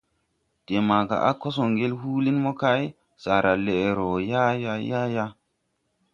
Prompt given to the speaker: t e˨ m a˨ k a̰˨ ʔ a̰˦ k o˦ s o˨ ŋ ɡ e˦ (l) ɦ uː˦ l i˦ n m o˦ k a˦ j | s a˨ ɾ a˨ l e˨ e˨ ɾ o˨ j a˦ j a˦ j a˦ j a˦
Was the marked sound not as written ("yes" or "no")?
no